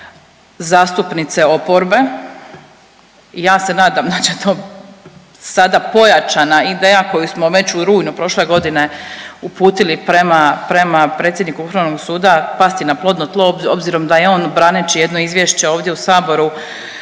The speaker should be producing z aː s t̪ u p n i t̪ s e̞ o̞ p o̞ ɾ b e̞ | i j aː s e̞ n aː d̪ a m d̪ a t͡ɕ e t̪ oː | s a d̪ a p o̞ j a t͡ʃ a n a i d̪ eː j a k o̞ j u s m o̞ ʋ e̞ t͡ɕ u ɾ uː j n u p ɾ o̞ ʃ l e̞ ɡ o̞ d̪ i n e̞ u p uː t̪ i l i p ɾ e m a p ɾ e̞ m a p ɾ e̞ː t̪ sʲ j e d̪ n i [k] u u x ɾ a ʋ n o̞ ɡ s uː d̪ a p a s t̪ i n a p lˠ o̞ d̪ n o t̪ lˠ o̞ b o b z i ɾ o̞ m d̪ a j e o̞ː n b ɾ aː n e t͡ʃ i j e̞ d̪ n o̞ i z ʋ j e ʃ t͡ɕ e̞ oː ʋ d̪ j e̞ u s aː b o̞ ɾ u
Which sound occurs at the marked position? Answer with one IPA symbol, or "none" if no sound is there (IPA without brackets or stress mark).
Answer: k